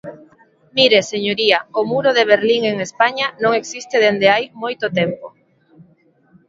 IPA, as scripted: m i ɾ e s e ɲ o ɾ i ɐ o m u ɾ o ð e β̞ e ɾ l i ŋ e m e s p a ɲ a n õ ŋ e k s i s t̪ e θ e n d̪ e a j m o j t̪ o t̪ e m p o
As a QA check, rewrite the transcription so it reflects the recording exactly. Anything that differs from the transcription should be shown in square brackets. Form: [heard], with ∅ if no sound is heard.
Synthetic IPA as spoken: m i ɾ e s e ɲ o ɾ i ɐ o m u ɾ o ð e β̞ e ɾ l i ŋ e [ŋ] e s p a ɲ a n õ ŋ e k s i s t̪ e [ð] e n d̪ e a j m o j t̪ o t̪ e m p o